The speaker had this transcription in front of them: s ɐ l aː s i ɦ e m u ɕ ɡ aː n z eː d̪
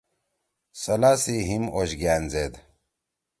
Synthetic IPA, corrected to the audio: s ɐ l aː s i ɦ i m o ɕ ɡ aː n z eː d̪